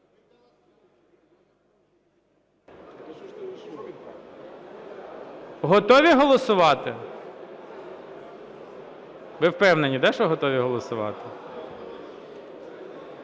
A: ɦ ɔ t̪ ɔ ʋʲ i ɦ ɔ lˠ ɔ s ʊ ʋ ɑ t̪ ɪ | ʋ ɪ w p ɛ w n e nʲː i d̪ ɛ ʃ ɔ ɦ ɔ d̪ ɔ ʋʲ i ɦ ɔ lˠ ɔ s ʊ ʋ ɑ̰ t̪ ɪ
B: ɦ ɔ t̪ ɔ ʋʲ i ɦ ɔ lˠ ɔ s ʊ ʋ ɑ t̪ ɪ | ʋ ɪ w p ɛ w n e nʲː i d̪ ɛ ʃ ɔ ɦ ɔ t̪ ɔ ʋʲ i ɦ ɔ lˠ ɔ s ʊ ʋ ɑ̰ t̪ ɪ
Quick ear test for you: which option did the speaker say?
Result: B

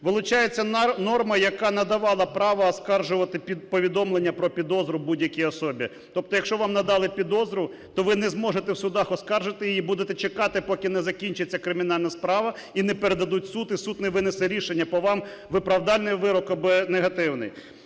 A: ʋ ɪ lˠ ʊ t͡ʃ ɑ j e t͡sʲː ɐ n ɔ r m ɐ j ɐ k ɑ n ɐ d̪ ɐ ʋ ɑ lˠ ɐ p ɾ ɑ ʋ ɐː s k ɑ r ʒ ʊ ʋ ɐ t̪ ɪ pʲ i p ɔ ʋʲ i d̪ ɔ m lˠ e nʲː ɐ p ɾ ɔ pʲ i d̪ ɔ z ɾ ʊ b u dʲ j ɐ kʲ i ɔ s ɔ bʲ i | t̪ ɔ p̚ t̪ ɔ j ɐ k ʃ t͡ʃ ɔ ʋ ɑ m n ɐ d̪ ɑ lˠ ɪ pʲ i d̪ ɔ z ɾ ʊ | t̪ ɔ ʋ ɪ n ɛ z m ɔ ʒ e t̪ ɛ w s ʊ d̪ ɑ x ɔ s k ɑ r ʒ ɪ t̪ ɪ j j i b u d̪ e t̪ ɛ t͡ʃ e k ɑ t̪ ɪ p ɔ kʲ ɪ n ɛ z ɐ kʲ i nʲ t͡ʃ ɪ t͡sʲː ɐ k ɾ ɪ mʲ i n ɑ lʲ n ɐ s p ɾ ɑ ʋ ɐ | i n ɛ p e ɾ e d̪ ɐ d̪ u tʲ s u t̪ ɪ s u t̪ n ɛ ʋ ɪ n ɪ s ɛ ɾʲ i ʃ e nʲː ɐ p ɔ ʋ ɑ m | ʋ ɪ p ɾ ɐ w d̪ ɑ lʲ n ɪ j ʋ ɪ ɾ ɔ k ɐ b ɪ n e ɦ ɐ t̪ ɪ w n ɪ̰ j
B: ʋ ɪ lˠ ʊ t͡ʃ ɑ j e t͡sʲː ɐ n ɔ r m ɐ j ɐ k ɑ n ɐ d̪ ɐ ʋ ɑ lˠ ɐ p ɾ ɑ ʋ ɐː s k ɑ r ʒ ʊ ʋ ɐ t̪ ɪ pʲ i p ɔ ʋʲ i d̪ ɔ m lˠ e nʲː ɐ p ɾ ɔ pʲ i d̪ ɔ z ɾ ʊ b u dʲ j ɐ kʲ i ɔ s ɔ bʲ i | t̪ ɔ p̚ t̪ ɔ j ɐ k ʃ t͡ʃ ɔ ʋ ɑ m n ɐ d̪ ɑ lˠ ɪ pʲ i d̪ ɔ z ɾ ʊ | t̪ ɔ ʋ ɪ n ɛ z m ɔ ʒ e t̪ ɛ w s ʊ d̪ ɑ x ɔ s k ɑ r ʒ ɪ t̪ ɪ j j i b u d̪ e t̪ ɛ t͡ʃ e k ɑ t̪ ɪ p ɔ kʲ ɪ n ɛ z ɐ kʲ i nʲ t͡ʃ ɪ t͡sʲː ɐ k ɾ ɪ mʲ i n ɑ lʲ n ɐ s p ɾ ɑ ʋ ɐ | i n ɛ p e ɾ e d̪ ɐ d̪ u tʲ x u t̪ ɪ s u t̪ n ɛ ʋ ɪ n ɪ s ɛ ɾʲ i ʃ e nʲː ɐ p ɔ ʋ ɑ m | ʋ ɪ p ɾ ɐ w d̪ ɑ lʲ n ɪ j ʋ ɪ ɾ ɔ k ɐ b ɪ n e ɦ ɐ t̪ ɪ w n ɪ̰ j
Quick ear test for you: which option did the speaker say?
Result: A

